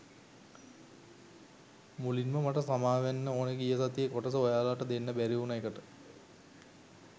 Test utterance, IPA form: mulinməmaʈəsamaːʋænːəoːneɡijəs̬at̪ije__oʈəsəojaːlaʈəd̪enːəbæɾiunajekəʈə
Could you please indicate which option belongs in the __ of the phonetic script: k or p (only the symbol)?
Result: k